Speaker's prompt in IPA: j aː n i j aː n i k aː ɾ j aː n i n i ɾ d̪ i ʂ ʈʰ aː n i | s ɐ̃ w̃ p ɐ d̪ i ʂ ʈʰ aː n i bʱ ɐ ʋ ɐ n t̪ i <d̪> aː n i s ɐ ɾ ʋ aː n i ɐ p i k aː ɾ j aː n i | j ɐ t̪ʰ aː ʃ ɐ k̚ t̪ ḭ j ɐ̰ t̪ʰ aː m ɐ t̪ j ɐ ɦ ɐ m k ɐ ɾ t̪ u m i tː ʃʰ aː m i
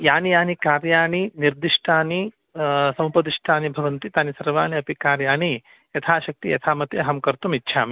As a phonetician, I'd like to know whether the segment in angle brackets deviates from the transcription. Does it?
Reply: yes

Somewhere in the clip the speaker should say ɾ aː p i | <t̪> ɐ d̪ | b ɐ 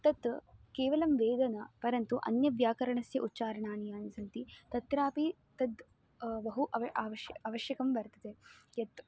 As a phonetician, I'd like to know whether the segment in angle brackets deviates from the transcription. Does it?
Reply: no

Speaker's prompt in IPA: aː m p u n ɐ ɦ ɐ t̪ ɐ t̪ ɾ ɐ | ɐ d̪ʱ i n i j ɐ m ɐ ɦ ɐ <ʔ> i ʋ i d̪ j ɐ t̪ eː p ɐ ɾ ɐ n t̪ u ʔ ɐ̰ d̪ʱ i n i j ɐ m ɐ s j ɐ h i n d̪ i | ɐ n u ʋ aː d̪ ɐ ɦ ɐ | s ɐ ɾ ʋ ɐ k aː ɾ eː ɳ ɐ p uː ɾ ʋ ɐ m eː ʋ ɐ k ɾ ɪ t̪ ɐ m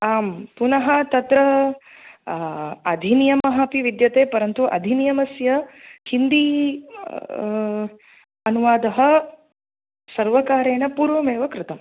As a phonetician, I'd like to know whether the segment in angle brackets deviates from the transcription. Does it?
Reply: yes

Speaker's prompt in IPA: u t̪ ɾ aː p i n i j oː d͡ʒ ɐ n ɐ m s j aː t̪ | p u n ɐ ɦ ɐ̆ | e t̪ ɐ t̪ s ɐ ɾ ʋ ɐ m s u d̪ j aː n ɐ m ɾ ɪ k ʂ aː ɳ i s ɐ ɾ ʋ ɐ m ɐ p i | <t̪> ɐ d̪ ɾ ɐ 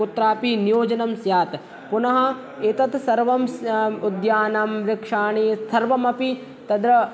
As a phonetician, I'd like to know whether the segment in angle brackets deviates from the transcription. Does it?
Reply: no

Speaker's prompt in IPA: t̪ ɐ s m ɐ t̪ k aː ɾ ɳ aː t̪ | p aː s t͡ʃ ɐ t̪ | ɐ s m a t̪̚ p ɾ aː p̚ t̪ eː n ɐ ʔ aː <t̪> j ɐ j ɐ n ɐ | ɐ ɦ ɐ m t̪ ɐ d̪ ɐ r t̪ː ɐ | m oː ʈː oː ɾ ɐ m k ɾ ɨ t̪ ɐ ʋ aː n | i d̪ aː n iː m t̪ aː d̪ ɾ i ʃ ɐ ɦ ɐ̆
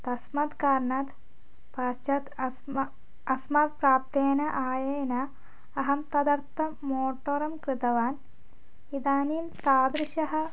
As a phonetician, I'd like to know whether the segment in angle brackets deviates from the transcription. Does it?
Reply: yes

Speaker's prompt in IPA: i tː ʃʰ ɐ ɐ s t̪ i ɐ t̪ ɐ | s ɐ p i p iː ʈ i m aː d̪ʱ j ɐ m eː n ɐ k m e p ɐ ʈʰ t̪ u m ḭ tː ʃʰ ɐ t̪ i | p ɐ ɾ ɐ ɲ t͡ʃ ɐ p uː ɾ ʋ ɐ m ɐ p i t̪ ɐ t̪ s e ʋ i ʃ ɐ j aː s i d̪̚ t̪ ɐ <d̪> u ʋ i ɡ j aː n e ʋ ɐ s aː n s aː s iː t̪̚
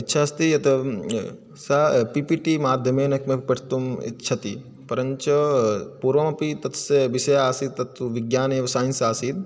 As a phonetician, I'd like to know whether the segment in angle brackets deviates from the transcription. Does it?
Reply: yes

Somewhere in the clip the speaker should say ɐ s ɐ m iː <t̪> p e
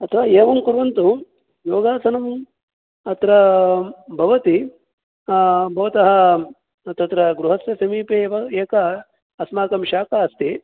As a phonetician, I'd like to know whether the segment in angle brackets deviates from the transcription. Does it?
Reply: yes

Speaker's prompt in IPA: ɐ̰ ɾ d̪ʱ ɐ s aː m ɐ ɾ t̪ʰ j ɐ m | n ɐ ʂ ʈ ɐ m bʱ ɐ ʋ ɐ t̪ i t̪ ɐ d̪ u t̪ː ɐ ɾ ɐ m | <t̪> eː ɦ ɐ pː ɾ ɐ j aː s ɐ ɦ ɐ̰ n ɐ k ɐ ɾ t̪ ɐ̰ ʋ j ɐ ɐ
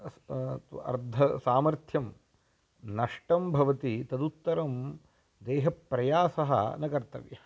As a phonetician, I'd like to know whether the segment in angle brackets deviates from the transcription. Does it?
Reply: yes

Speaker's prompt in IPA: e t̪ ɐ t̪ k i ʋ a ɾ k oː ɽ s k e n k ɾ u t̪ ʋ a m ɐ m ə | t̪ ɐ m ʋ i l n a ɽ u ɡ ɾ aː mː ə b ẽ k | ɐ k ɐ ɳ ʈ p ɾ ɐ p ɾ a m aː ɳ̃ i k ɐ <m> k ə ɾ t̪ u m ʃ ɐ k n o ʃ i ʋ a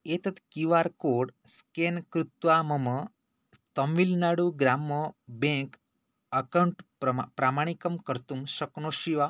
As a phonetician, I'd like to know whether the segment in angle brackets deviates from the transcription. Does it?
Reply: no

